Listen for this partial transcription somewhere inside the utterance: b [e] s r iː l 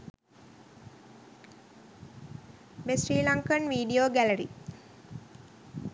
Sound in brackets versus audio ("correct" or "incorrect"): correct